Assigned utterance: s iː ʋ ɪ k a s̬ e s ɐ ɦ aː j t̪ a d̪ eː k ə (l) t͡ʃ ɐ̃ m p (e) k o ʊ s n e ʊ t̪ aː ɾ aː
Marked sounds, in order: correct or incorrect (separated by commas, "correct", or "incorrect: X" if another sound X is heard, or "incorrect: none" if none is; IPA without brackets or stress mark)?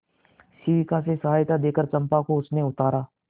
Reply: incorrect: ɾ, incorrect: a